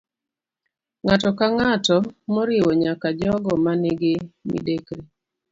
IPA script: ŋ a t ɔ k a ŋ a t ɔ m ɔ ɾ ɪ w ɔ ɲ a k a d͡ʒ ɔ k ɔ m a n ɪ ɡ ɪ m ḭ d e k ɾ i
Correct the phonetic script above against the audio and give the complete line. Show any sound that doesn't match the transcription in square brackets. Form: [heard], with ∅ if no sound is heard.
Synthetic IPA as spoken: ŋ a t ɔ k a ŋ a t ɔ m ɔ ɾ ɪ w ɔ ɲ a k a d͡ʒ ɔ [ɡ] ɔ m a n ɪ ɡ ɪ m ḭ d e k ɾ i